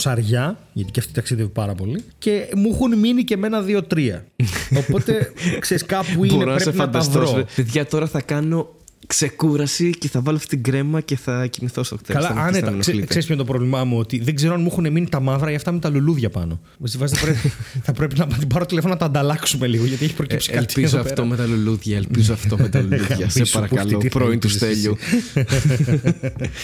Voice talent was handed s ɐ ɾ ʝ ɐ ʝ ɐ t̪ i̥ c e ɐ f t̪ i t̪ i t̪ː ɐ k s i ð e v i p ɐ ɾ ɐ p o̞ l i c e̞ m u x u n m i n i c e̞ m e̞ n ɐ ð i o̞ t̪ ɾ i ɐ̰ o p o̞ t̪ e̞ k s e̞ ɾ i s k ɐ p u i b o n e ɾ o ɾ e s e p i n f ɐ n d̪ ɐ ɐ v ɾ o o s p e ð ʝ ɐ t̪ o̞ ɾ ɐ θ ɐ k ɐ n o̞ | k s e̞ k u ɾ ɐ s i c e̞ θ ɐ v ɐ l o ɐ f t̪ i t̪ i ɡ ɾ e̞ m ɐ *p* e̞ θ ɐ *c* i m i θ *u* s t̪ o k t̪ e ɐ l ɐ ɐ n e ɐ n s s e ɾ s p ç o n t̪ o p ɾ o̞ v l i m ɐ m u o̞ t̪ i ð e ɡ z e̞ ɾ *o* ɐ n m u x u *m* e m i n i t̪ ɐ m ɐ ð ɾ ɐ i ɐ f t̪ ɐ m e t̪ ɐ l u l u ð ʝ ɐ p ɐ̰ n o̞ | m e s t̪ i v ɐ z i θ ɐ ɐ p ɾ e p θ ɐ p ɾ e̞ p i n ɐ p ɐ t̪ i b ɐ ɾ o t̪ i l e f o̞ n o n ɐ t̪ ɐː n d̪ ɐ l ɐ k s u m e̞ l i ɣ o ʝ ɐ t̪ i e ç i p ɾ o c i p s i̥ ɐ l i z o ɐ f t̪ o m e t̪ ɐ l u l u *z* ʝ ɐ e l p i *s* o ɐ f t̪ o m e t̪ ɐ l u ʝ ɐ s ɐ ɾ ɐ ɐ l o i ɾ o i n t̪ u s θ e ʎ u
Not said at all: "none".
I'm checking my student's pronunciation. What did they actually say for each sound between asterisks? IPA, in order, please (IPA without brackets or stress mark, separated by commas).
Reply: c, c, o, o, n, ð, z